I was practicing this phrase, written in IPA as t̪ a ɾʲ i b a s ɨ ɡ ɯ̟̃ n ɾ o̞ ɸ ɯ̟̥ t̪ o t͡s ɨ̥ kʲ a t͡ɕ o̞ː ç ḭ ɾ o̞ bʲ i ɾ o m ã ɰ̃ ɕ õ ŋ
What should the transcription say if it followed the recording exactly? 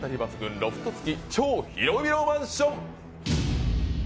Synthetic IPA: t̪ a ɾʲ i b a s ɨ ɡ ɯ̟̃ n ɾ o̞ ɸ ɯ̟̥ t̪ o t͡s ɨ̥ kʲ i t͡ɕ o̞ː ç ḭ ɾ o̞ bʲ i ɾ o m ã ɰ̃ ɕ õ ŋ